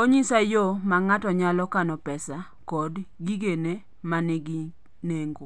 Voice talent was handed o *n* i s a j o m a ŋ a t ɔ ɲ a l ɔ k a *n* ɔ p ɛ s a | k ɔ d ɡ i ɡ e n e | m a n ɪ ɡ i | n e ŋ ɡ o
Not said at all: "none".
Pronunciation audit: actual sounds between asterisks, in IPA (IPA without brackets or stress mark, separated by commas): ɲ, n